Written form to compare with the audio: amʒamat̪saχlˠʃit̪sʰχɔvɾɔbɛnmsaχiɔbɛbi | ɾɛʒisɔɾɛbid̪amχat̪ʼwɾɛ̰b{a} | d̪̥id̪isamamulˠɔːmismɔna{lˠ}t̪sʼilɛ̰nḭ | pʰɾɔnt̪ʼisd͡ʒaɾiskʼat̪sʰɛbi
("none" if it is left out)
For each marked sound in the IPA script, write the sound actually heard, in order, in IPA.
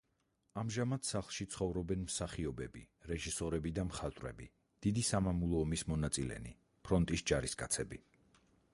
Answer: i, none

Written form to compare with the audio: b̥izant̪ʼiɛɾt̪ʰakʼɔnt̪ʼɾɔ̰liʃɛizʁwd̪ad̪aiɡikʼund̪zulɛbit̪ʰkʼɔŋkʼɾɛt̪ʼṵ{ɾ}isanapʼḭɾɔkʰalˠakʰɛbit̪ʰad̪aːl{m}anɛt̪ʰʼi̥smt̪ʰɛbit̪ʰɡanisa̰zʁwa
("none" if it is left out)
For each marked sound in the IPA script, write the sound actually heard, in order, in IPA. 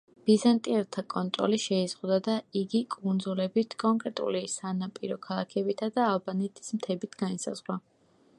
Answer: l, b

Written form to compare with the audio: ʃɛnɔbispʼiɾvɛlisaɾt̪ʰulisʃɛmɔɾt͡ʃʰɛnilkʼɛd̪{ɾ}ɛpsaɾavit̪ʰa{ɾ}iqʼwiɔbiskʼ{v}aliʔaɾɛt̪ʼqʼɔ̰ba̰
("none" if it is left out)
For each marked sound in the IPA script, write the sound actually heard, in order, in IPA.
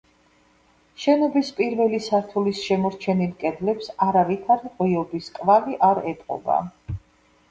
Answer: l, ɾ, v

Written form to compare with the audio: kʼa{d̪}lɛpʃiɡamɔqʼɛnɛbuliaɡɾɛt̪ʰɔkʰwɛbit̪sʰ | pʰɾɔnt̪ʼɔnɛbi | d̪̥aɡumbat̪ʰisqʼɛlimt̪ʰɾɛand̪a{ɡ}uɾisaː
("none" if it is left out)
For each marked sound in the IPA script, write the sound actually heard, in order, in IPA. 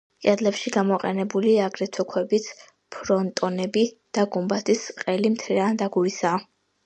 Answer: d̪, ɡ

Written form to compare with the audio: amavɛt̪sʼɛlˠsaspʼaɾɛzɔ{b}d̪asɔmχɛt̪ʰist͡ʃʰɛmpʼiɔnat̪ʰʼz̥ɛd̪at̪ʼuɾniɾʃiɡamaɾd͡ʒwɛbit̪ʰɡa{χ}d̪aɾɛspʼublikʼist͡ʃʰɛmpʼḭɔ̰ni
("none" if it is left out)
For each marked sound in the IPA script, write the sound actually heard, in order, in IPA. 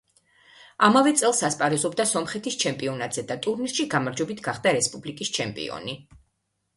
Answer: b, χ

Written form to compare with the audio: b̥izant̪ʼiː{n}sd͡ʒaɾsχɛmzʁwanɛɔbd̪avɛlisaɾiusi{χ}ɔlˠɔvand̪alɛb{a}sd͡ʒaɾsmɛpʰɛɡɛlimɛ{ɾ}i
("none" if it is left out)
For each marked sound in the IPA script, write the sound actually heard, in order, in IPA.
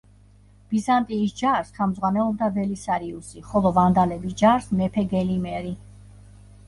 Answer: none, χ, i, ɾ

